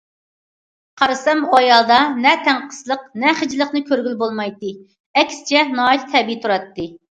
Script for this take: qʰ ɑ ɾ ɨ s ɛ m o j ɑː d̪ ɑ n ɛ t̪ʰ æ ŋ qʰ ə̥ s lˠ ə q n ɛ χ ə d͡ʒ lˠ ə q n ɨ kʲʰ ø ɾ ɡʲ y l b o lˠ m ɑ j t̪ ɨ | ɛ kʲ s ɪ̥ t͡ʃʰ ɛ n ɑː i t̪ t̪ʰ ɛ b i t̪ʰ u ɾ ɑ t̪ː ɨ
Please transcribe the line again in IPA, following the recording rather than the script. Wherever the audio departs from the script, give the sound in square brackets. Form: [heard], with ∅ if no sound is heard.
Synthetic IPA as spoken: qʰ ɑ ɾ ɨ s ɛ m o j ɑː d̪ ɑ n ɛ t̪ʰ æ ŋ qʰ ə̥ s lˠ ə q n ɛ χ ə d͡ʒ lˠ ə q n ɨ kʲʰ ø ɾ ɡʲ y l b o lˠ m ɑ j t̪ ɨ | ɛ kʲ s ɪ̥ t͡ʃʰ ɛ n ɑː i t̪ t̪ʰ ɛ b i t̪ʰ u ɾ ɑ t̪ː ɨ